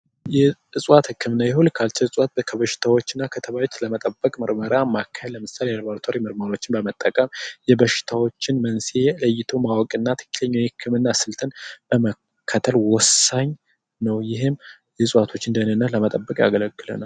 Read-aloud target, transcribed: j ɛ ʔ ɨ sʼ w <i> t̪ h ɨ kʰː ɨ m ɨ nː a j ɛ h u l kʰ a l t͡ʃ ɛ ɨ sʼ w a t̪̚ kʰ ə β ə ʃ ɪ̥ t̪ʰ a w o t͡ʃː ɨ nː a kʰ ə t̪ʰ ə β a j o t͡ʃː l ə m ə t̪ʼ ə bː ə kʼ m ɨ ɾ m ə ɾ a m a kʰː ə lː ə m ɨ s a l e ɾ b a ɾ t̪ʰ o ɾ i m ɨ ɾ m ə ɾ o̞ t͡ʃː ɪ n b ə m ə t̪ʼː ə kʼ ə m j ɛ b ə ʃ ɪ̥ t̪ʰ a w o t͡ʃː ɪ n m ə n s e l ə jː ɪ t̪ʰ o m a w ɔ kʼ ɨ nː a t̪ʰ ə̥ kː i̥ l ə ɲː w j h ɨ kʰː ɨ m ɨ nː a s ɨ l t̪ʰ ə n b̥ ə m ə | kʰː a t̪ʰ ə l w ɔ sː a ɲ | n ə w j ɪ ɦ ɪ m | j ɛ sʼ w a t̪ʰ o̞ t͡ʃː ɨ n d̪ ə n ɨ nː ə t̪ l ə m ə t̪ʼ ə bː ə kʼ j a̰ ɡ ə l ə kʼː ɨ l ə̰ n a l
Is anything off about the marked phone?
yes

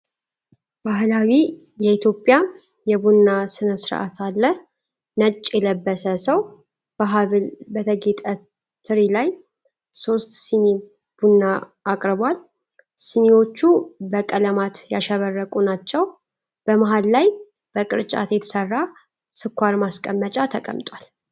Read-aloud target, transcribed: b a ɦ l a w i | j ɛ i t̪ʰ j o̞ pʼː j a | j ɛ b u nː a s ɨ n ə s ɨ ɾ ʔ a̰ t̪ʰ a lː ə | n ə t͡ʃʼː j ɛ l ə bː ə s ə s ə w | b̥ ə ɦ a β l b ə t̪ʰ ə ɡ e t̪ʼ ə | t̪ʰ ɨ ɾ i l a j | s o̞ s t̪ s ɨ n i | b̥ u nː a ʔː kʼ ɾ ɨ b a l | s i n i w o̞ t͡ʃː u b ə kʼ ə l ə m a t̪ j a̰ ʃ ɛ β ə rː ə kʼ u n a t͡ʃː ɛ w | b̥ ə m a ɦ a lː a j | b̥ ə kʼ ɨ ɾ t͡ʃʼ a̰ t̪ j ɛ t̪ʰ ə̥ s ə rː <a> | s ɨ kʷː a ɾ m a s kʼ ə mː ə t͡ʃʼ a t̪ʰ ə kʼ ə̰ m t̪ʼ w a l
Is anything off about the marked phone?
no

